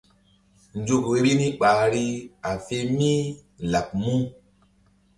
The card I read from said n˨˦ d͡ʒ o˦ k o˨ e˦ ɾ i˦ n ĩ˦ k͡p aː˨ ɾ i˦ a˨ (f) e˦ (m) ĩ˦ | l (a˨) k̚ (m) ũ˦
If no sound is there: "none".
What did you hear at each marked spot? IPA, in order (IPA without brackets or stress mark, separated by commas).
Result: f, m, a˨, m